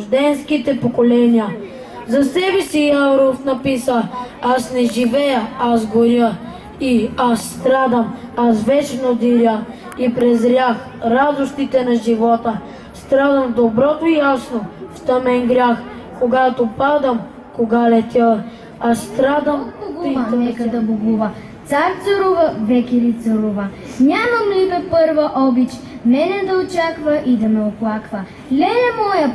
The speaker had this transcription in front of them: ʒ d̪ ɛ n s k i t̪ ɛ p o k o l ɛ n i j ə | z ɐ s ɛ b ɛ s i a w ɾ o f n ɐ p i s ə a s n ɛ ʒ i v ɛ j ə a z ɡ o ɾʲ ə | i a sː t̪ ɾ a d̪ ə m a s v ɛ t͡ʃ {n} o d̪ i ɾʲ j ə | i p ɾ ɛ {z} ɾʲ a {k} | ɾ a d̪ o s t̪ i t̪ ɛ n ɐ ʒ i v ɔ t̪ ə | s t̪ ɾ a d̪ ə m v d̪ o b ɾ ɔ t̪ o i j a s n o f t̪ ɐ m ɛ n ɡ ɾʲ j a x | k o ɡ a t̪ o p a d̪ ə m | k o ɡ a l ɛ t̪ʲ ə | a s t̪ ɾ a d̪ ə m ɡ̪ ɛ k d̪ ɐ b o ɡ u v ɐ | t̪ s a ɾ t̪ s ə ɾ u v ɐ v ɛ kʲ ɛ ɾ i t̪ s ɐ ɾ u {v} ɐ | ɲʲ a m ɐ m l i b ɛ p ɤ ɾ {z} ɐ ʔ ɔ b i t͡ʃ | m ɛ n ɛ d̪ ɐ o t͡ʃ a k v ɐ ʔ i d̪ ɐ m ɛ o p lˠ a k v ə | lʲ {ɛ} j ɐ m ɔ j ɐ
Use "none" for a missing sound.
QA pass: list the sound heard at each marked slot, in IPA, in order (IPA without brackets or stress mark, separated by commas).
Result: n, z, x, v, v, ɛ